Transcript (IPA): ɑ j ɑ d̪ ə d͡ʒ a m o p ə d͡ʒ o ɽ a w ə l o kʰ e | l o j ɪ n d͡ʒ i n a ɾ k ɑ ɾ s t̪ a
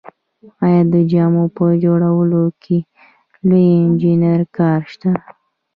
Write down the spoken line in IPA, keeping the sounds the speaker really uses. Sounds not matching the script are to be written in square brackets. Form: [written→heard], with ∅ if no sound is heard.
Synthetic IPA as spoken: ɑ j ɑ d̪ ə d͡ʒ [a→ɑ] m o p ə d͡ʒ o ɽ a w ə l o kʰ e | l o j ɪ n d͡ʒ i n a ɾ k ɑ ɾ [s→ʃ] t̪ a